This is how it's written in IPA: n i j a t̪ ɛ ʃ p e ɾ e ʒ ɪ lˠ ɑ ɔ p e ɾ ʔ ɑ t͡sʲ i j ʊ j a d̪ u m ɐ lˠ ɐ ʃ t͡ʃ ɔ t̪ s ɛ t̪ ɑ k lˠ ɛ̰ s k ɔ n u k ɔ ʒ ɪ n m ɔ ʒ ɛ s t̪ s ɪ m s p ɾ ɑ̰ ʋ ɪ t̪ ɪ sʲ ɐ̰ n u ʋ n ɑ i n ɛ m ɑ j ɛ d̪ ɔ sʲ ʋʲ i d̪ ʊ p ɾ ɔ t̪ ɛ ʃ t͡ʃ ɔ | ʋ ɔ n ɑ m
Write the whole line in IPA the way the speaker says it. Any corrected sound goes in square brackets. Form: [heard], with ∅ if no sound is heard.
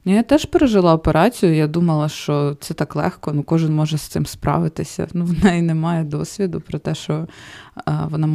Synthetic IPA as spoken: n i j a t̪ ɛ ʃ p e ɾ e ʒ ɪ lˠ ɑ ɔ p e ɾ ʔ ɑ t͡sʲ i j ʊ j a d̪ u m ɐ lˠ ɐ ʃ t͡ʃ ɔ t̪ s ɛ t̪ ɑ k lˠ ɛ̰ [x] k ɔ n u k ɔ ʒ ɪ n m ɔ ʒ ɛ s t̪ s ɪ m s p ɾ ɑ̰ ʋ ɪ t̪ ɪ sʲ ɐ̰ n u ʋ n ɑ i n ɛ m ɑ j ɛ d̪ ɔ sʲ ʋʲ i d̪ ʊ p ɾ ɔ t̪ ɛ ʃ t͡ʃ ɔ | ʋ ɔ n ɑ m